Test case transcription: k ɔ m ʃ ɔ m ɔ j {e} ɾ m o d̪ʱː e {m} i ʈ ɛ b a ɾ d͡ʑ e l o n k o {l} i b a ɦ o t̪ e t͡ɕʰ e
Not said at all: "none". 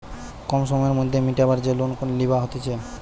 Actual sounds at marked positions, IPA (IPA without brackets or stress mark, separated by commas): e, m, l